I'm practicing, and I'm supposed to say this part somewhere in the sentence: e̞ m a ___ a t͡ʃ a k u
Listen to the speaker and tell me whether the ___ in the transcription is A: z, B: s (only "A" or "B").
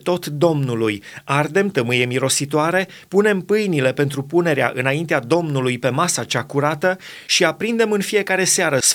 B